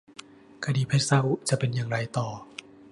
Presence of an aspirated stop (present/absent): present